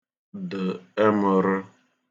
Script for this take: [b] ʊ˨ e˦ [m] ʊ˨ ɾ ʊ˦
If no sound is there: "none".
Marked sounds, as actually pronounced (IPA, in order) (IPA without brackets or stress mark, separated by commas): d, m